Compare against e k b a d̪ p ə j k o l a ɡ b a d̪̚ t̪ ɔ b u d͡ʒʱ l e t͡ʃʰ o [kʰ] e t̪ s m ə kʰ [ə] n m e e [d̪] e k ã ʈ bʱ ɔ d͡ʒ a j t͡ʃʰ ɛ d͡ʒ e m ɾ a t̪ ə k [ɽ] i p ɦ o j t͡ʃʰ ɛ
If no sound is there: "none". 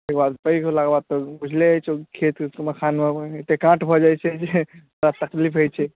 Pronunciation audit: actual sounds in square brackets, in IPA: kʰ, a, t̪, l

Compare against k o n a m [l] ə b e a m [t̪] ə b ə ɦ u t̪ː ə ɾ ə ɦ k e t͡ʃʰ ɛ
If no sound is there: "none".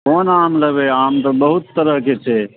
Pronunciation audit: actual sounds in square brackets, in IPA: l, t̪

